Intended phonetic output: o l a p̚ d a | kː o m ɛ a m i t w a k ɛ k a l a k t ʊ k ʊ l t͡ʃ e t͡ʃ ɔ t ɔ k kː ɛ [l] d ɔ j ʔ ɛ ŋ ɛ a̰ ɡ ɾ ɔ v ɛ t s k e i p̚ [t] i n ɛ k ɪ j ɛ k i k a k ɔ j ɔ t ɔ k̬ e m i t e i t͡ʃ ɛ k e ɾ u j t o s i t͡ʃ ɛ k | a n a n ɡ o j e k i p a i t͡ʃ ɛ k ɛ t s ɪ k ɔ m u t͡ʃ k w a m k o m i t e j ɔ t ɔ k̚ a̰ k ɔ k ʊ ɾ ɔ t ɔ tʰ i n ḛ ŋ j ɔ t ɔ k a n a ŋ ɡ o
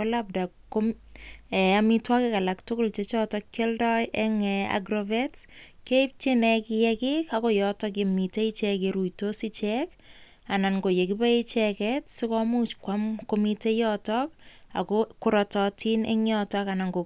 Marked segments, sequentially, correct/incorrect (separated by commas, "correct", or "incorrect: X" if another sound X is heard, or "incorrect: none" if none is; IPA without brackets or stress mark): correct, incorrect: t͡ʃ